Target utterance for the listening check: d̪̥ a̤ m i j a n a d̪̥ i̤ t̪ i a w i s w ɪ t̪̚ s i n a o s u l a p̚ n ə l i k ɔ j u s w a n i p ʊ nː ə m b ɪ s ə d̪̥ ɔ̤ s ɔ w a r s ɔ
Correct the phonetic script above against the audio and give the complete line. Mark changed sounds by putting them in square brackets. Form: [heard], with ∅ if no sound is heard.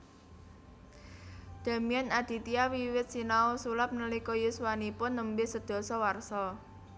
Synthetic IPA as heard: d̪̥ a̤ m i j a n a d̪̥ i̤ t̪ i a w i [∅] w ɪ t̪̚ s i n a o s u l a p̚ n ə l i k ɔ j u s w a n i p ʊ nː ə m b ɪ s ə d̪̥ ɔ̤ s ɔ w a r s ɔ